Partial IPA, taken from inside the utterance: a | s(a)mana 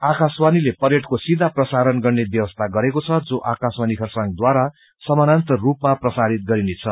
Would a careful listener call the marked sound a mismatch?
yes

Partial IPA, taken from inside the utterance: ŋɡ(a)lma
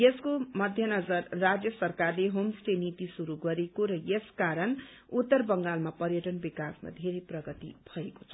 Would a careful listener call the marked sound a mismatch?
no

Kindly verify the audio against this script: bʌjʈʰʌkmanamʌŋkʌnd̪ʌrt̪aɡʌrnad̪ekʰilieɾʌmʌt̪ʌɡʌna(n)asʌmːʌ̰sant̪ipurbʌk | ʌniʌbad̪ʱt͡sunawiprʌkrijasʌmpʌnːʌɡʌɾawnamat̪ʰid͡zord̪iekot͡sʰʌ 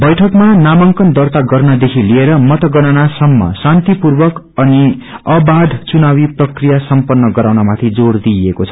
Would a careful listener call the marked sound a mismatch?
no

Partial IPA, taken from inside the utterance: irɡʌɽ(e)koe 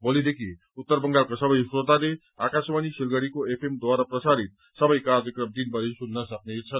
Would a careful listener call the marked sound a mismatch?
yes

